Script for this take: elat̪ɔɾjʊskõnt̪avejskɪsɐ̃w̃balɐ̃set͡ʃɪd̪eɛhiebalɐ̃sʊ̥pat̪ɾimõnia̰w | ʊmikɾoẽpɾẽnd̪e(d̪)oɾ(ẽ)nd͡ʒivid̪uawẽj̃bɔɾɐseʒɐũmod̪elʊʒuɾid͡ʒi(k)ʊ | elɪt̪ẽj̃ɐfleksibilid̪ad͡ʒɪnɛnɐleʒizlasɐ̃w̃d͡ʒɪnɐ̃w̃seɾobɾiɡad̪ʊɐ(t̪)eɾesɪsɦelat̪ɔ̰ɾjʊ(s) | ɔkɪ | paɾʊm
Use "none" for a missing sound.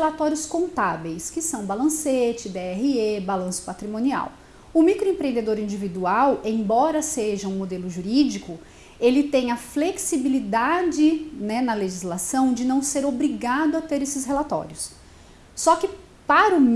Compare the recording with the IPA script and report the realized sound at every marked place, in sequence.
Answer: d̪, ĩ, k, t̪, sː

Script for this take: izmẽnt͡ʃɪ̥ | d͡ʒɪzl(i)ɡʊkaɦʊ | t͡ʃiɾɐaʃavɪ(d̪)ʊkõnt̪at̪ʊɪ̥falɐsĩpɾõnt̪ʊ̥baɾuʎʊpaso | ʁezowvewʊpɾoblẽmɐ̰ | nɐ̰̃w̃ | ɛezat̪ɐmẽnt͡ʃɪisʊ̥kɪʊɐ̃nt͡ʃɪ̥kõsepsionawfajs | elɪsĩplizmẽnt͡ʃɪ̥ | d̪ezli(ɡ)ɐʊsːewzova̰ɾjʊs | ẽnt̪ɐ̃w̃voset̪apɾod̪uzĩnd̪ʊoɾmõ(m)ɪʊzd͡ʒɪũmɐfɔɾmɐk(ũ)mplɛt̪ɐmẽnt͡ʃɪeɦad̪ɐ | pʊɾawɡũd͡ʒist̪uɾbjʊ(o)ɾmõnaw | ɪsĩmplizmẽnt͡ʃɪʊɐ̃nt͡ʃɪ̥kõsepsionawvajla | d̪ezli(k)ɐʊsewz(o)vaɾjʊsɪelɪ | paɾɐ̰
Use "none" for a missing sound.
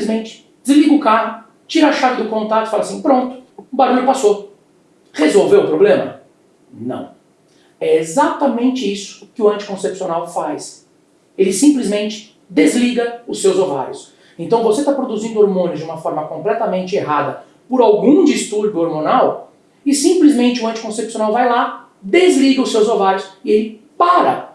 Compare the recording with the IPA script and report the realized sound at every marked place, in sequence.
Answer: i, d̪, ɡ, n, õ, o, ɡ, o

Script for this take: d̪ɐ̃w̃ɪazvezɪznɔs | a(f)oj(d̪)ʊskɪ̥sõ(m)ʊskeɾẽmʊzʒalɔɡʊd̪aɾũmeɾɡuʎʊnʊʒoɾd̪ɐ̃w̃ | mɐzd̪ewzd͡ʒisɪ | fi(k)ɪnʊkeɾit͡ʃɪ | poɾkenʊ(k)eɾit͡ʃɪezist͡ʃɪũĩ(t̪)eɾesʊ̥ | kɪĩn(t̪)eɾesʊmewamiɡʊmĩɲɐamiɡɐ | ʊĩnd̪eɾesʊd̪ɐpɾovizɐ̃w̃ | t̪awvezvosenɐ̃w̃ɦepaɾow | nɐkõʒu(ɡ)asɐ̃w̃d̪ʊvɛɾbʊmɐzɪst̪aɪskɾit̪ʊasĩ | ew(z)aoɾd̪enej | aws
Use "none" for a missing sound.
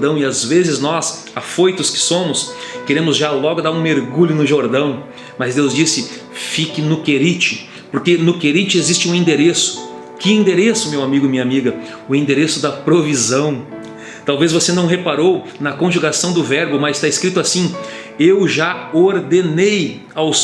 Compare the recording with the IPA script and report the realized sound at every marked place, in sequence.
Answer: f, t̪, m, k, k, d̪, d̪, ɡ, ʒ

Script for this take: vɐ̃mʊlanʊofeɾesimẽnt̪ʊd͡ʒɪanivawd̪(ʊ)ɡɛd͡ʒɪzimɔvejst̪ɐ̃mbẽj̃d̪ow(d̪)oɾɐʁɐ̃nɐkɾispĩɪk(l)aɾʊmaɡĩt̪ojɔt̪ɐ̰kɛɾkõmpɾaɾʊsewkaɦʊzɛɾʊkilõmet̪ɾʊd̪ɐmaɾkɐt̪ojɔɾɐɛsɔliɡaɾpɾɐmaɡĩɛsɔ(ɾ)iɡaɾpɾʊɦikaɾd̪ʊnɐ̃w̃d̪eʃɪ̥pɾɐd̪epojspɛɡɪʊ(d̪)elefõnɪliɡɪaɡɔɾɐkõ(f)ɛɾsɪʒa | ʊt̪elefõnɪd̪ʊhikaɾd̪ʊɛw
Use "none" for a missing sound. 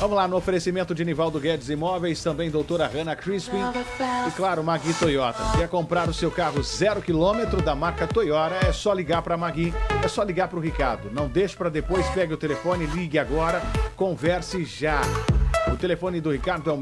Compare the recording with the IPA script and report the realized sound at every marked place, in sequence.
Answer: ʊ, t̪, l, l, t̪, v

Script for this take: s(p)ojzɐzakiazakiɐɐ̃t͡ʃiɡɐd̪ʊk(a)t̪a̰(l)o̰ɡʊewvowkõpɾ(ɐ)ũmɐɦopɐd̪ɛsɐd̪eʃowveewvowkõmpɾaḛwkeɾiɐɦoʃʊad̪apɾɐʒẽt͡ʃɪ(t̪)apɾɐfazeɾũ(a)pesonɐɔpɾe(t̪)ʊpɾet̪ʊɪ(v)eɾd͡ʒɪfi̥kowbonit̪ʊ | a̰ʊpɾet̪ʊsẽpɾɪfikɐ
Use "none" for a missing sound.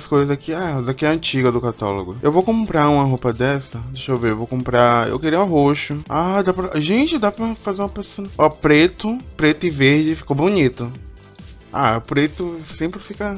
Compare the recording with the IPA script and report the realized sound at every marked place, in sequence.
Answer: k, a, l, a, d̪, ɐ, t̪, v

